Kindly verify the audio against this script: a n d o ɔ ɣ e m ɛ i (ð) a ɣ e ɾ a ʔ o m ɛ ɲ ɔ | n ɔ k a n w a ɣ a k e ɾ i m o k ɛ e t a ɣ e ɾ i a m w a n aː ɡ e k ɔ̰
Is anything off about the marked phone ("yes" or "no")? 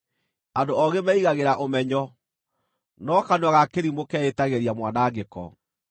yes